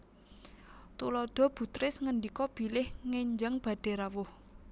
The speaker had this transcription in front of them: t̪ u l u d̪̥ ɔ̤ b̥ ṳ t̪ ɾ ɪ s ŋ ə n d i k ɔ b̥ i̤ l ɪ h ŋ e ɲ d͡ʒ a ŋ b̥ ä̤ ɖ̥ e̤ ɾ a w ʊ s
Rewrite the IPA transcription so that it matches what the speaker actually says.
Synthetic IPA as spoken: t̪ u l ɔ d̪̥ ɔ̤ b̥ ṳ t̪ ɾ ɪ s ŋ ə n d i k ɔ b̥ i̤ l ɪ h ŋ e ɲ d͡ʒ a ŋ b̥ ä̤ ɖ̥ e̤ ɾ a w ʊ h